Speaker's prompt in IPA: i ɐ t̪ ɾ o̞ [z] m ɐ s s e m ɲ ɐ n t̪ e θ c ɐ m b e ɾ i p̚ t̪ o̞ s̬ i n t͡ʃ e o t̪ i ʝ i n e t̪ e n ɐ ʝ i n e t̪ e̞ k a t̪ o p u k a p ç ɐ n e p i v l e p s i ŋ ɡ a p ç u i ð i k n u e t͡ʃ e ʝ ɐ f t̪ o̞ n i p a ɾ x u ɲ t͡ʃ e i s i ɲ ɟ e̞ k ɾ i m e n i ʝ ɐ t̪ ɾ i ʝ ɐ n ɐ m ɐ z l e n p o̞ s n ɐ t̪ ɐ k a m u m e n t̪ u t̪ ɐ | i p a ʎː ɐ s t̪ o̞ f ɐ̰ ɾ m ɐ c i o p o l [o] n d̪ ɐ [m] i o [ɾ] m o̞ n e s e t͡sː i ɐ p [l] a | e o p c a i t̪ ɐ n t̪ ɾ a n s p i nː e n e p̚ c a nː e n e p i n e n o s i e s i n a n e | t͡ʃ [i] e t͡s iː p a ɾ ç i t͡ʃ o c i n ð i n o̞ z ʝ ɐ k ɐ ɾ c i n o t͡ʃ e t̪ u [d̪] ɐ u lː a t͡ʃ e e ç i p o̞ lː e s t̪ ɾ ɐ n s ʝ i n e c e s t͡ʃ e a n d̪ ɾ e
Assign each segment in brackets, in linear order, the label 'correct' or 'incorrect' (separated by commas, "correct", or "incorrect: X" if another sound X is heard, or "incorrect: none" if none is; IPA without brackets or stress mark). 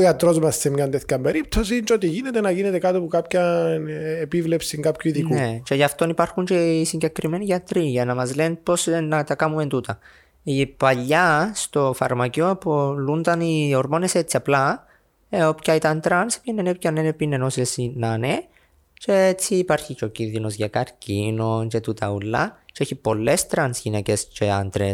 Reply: correct, incorrect: u, incorrect: n, correct, correct, incorrect: e, incorrect: t̪